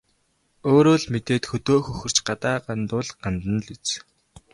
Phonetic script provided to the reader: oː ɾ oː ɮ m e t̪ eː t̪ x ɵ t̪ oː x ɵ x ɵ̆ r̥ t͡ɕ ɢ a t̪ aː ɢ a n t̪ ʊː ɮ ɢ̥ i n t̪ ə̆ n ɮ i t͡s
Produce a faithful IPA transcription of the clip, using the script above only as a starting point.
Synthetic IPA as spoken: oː ɾ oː ɮ m e t̪ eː t̪ x ɵ t̪ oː x ɵ x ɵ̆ r̥ t͡ɕ ɢ a t̪ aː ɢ a n t̪ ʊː ɮ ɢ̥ a n t̪ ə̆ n ɮ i t͡s